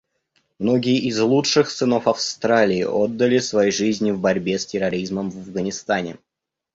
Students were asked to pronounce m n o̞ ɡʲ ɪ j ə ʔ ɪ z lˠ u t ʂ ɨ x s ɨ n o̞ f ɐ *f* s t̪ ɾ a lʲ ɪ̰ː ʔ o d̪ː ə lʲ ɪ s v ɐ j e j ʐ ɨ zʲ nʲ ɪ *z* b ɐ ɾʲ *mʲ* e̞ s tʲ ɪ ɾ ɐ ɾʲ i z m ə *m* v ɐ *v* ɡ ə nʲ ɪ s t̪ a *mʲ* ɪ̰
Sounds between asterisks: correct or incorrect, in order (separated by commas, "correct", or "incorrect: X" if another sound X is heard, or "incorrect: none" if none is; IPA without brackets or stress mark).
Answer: correct, incorrect: v, incorrect: bʲ, correct, correct, incorrect: nʲ